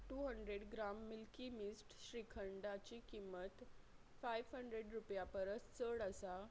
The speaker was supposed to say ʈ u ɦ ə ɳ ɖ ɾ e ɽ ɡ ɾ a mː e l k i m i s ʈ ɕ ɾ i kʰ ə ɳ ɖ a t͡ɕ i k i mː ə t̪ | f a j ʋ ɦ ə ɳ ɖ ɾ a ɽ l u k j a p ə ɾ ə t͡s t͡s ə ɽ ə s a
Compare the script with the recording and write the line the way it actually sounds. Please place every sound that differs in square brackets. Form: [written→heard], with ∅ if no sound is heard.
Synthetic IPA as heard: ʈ u ɦ ə ɳ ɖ ɾ e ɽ ɡ ɾ a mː [e→i] l k i m i s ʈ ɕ ɾ i kʰ ə ɳ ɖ a t͡ɕ i k i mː ə t̪ | f a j ʋ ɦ ə ɳ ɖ ɾ [a→e] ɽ [l→ɾ] u [k→p] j a p ə ɾ ə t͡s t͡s ə ɽ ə s a